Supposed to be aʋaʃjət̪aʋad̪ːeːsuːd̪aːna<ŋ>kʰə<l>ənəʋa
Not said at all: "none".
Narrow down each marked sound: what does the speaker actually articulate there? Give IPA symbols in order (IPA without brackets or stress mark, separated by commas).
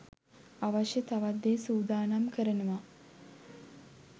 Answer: m, ɾ